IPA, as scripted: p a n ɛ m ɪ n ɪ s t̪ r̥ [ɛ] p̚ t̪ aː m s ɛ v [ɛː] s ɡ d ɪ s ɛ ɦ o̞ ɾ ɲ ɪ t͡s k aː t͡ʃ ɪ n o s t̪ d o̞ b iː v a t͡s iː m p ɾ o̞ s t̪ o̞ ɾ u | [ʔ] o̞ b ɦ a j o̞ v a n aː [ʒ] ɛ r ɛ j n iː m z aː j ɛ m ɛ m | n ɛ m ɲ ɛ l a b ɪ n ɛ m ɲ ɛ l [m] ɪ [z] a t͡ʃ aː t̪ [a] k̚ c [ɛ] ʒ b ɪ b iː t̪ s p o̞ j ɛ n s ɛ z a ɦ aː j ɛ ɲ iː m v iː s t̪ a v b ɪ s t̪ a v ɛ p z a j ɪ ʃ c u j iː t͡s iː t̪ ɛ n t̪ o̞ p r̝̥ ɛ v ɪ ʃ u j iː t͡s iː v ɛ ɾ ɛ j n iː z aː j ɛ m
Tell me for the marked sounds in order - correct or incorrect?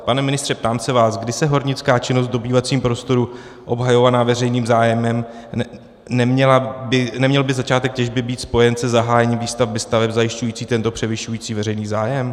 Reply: correct, incorrect, correct, incorrect, incorrect, correct, incorrect, correct

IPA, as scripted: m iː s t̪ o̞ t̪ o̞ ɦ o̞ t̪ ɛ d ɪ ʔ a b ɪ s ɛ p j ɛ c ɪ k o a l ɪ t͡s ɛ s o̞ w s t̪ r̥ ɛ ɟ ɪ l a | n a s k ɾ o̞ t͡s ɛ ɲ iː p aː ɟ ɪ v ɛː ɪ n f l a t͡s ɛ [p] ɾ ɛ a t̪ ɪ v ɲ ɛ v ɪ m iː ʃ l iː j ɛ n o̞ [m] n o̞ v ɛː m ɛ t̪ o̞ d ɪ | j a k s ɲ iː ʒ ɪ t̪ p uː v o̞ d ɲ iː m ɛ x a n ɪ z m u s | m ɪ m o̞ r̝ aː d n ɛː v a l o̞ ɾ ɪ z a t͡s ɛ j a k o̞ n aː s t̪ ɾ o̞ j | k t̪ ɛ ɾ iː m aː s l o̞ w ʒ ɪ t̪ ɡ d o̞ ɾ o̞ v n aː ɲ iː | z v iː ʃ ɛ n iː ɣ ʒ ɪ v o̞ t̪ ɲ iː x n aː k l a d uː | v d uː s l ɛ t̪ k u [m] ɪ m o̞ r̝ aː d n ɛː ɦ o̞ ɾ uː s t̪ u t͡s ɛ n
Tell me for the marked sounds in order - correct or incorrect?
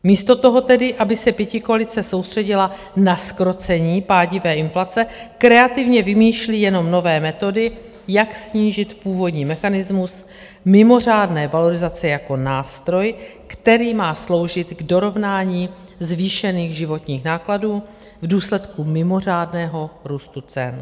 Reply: incorrect, correct, correct

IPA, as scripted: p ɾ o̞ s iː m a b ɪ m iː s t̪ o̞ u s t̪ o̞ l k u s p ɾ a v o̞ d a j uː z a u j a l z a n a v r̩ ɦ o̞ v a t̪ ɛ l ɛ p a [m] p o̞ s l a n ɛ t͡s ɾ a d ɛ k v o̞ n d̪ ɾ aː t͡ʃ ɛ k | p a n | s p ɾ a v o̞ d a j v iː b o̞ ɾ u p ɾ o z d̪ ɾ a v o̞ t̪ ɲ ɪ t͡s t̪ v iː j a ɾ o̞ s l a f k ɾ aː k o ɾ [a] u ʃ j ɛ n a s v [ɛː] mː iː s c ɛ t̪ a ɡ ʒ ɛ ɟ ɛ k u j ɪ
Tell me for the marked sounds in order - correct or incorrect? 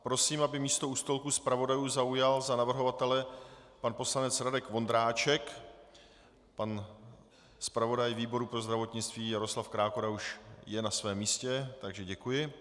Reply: incorrect, correct, correct

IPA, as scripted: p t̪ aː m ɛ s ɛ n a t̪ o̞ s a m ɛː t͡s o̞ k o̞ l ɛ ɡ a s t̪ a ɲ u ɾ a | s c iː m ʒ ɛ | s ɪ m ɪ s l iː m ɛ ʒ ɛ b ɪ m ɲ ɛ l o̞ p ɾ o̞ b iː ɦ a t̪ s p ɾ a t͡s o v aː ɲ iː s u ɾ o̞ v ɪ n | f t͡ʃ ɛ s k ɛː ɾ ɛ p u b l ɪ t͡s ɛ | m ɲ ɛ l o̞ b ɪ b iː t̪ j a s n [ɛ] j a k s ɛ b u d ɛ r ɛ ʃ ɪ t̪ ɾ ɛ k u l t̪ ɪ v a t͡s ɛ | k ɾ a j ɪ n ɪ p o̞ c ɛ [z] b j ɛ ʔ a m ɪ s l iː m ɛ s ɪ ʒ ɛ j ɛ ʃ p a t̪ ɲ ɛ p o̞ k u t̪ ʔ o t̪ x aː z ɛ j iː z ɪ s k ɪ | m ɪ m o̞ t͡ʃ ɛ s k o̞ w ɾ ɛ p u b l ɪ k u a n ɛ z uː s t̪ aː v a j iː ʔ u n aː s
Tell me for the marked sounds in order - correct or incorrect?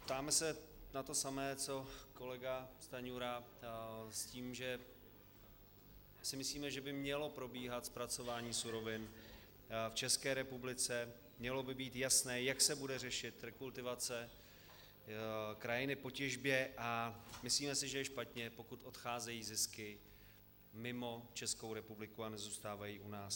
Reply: incorrect, incorrect

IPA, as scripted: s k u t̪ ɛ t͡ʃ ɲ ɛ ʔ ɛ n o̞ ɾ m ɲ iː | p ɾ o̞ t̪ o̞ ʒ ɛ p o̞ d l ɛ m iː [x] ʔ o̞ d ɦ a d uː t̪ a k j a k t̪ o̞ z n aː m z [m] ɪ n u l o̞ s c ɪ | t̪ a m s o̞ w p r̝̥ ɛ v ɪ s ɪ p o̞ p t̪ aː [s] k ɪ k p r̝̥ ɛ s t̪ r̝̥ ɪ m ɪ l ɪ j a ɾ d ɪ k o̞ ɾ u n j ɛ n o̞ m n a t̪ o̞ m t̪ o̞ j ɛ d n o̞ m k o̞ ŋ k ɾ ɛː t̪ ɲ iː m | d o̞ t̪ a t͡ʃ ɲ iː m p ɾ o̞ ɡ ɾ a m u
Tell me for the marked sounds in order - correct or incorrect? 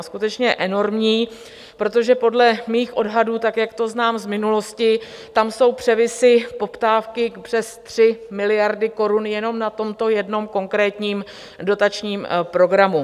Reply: correct, correct, incorrect

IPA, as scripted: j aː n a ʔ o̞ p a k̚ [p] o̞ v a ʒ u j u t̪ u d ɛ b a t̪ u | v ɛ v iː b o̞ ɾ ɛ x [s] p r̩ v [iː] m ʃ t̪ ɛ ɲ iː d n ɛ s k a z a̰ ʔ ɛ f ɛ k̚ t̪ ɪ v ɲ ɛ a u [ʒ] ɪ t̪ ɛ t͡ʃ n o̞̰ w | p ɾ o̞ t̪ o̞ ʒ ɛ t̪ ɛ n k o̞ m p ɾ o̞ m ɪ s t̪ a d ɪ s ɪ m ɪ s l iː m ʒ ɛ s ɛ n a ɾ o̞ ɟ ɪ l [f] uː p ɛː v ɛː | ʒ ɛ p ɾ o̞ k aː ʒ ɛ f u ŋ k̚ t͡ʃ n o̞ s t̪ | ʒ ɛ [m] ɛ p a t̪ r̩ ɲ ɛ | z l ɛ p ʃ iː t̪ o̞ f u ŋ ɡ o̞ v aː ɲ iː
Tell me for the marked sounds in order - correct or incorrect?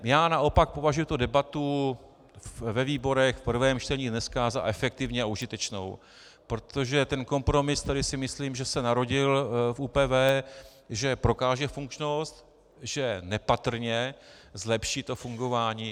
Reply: correct, incorrect, incorrect, correct, correct, incorrect

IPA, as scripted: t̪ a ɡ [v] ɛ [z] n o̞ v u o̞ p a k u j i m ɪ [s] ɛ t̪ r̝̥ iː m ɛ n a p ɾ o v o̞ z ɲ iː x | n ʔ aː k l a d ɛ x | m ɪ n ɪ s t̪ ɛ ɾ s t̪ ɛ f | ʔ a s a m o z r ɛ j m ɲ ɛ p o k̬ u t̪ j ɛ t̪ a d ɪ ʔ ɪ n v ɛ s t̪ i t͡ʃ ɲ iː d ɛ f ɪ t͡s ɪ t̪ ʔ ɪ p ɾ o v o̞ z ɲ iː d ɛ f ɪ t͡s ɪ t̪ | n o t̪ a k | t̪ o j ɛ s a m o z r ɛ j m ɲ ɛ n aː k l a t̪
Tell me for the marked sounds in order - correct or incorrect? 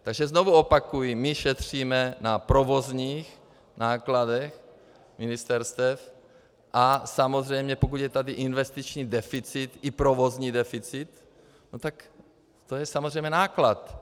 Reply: incorrect, correct, incorrect

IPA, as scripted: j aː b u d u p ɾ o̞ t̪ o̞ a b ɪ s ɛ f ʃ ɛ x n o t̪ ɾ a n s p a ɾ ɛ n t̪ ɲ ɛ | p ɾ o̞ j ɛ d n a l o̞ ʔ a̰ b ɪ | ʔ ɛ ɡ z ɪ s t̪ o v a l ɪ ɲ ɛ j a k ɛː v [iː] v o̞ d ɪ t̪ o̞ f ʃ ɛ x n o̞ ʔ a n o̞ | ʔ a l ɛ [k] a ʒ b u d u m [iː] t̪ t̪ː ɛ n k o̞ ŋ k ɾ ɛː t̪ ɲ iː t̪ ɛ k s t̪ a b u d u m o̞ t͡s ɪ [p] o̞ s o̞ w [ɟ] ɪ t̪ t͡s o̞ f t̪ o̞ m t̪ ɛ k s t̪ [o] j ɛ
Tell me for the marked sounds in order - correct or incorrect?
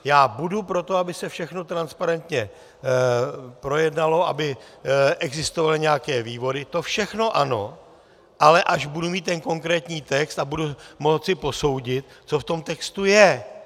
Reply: correct, incorrect, correct, correct, correct, incorrect

